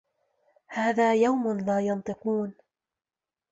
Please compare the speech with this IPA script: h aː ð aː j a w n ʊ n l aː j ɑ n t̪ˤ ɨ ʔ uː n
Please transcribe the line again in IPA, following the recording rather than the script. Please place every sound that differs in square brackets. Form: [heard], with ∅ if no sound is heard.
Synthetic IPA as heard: h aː ð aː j a w [m] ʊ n l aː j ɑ n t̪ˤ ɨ [q] uː n